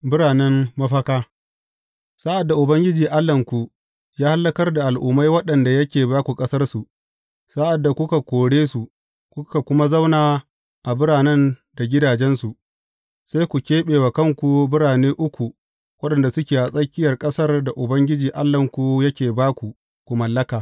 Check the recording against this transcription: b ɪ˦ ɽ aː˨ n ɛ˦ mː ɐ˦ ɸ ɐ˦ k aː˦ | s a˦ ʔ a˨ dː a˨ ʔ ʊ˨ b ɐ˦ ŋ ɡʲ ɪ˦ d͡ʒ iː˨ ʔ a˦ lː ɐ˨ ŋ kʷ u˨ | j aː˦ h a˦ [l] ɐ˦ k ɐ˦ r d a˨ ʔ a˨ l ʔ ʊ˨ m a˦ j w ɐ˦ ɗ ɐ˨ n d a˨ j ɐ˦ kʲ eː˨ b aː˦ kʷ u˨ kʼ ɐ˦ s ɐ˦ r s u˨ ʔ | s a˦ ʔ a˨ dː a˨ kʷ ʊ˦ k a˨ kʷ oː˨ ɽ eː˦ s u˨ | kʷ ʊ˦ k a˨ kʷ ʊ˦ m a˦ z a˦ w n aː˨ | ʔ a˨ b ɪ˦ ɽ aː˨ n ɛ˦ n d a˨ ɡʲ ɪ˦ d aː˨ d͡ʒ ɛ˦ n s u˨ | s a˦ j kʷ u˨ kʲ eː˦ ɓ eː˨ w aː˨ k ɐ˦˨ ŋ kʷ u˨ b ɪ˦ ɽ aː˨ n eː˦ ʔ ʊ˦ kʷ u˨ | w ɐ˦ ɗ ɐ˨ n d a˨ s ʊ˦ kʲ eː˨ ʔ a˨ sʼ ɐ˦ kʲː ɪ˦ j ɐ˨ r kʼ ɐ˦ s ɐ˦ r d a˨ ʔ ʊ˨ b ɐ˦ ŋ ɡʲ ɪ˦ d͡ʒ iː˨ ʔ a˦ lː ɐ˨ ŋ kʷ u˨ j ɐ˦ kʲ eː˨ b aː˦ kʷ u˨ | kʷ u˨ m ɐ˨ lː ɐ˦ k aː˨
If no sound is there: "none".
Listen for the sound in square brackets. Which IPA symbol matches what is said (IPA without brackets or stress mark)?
lː